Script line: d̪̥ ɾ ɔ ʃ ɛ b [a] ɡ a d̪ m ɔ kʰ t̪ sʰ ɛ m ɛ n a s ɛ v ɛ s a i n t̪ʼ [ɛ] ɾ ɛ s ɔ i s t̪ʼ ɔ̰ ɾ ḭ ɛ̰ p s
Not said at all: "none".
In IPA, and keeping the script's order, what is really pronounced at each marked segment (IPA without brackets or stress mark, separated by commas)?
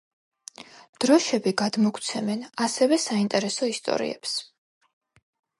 i, ɛ